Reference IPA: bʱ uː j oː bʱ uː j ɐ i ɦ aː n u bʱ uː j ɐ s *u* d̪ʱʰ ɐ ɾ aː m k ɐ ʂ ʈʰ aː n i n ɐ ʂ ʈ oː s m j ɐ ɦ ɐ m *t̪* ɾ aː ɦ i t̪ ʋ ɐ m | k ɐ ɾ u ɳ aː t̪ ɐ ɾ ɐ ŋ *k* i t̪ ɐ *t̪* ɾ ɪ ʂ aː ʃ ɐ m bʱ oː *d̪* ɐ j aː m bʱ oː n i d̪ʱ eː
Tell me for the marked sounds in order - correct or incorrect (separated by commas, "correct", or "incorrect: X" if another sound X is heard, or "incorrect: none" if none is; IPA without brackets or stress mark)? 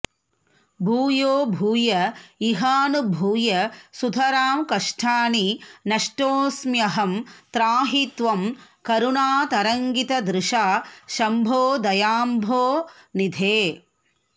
correct, correct, incorrect: ɡ, incorrect: d̪, correct